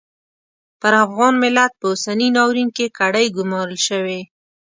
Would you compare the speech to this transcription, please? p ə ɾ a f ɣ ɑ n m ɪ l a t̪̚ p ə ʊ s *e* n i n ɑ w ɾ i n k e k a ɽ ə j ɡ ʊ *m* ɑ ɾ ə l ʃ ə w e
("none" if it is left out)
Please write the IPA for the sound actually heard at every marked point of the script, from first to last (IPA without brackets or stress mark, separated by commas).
a, m